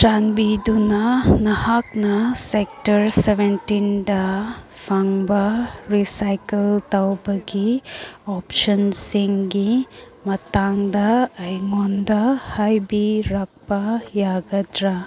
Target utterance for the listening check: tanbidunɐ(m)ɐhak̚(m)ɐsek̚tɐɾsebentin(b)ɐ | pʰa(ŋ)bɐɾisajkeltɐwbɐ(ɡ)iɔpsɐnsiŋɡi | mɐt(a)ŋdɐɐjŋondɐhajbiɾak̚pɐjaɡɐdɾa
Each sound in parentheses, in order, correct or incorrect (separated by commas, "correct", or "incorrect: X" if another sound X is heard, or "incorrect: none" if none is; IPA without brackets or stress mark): incorrect: n, incorrect: n, incorrect: d, correct, correct, correct